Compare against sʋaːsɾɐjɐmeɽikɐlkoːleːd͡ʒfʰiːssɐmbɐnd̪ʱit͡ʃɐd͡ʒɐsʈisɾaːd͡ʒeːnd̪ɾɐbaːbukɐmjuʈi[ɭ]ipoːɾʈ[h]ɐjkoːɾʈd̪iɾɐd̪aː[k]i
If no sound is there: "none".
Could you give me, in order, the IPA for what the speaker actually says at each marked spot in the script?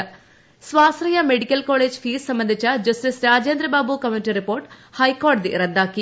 ɾ, h, k

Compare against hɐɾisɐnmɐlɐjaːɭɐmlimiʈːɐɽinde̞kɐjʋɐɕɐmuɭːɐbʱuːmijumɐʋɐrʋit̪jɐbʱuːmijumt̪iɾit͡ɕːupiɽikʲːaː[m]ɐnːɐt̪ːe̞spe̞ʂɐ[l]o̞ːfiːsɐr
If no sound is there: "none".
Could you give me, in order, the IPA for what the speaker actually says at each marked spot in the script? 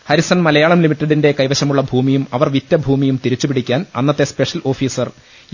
n, l

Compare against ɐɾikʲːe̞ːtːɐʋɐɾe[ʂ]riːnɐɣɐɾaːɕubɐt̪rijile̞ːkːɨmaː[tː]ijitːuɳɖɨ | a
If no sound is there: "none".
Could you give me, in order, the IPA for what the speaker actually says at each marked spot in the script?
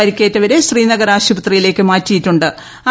ɕ, tː

